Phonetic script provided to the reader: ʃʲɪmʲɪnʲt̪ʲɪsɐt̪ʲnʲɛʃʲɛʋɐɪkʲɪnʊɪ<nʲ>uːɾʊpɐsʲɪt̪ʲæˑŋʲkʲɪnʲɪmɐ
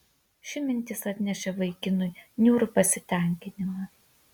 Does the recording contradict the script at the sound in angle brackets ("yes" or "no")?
no